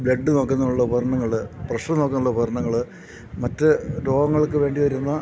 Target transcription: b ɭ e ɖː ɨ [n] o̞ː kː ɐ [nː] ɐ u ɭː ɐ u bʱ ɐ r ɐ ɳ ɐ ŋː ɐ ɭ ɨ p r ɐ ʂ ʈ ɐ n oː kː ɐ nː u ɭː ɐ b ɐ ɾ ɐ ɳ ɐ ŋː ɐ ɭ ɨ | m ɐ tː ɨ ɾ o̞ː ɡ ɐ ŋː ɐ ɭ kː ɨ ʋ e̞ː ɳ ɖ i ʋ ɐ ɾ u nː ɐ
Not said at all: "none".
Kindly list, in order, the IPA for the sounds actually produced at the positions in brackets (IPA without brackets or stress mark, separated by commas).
n, nː